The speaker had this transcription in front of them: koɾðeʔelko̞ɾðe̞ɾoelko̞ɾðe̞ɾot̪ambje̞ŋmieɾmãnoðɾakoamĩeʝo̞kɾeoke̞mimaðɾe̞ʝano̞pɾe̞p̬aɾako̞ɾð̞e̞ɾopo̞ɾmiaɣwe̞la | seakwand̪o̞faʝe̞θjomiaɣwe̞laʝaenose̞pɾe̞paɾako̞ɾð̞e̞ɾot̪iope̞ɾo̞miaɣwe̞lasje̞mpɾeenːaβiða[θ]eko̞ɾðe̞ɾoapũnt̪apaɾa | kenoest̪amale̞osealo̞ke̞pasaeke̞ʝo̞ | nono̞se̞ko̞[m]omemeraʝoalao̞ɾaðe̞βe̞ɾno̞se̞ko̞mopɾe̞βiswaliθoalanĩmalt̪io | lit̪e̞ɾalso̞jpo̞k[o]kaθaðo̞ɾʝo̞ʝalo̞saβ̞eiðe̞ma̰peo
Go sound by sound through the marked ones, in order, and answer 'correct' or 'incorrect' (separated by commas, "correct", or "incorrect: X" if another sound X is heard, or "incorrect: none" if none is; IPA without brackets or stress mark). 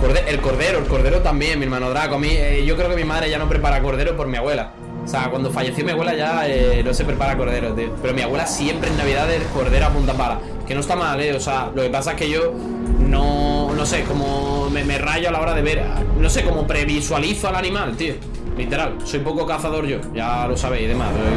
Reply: incorrect: ð, correct, correct